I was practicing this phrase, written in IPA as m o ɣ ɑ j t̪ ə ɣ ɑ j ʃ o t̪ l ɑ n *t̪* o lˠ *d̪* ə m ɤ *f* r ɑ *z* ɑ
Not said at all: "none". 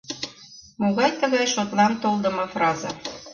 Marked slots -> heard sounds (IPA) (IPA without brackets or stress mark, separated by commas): t̪, d̪, f, z